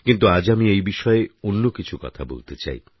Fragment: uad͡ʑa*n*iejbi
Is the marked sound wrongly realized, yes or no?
yes